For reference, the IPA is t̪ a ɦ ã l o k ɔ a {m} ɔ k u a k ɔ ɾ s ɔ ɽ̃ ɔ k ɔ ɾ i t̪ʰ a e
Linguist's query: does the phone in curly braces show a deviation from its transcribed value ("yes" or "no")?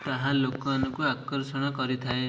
yes